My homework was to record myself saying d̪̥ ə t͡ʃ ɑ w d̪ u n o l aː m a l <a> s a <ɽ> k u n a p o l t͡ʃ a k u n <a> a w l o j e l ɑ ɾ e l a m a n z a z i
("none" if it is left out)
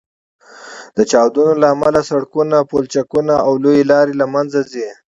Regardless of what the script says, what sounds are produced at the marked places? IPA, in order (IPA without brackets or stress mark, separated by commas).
a, ɽ, a